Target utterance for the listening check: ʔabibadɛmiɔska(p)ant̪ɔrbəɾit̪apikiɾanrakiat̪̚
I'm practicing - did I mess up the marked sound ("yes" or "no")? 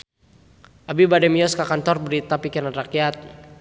yes